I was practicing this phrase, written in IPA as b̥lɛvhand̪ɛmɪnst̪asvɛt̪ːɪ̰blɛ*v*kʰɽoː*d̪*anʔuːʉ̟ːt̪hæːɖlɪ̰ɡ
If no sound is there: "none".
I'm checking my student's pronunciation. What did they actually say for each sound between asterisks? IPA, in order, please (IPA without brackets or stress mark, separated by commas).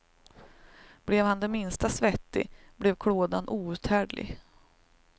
v, d̪